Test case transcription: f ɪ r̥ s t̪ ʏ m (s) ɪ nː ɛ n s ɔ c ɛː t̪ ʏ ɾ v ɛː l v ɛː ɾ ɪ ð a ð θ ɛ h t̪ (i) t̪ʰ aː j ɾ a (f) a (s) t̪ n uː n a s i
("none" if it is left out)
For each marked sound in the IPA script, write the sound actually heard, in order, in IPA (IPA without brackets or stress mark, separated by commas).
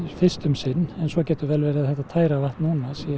s, a, v, h